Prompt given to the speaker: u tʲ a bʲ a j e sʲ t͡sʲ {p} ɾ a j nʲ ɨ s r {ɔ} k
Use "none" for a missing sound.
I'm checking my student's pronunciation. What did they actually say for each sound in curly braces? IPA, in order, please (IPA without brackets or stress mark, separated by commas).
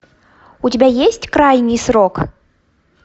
k, ɔ